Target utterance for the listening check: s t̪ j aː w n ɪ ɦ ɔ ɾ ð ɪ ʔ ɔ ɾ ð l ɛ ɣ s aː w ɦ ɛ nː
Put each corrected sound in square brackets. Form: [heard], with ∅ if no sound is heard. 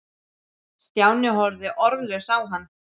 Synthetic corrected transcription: s t̪ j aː w n ɪ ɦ ɔ ɾ ð ɪ ʔ ɔ ɾ ð l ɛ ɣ s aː w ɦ [a] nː